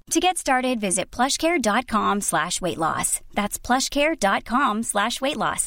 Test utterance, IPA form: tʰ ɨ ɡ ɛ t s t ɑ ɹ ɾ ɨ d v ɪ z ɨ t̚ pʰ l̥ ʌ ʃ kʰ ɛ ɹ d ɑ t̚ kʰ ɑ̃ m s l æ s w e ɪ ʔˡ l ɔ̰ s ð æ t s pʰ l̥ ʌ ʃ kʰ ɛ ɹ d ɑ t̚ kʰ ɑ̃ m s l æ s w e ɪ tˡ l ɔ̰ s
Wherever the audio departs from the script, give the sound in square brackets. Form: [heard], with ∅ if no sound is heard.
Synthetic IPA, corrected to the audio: tʰ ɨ ɡ ɛ t s t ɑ ɹ ɾ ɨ d v ɪ z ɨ t̚ pʰ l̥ ʌ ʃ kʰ ɛ ɹ d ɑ t̚ kʰ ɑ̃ m s l æ [ʃ] w e ɪ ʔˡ l ɔ̰ s ð æ t s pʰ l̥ ʌ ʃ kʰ ɛ ɹ d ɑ t̚ kʰ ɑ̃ m s l æ [ʃ] w e ɪ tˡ l ɔ̰ s